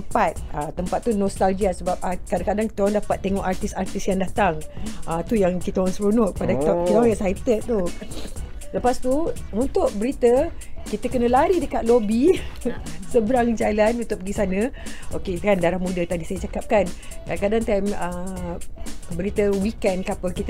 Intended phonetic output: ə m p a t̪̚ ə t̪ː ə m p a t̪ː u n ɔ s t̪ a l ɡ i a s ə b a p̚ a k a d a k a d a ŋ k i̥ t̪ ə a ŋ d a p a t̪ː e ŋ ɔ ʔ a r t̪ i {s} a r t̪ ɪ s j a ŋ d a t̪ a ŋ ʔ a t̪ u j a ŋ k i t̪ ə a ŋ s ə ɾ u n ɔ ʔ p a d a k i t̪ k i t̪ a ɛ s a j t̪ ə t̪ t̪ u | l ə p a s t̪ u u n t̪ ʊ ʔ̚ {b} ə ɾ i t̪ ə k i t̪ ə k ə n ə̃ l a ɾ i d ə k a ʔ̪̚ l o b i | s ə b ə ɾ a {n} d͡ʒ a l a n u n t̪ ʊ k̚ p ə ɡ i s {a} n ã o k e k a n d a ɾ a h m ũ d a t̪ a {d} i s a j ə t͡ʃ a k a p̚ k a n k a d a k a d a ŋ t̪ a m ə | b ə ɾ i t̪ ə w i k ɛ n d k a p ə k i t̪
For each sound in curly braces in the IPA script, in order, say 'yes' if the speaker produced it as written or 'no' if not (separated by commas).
yes, yes, no, yes, yes